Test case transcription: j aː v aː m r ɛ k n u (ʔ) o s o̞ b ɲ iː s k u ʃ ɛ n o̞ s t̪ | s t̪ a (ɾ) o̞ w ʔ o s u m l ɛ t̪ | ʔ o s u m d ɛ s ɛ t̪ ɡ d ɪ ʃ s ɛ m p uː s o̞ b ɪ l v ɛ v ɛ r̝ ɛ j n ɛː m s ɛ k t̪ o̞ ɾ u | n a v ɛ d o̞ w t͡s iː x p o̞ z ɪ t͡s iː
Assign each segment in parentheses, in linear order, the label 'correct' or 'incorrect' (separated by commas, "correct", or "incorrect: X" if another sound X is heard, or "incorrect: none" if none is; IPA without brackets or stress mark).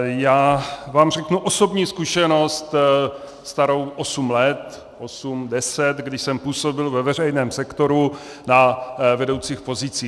correct, correct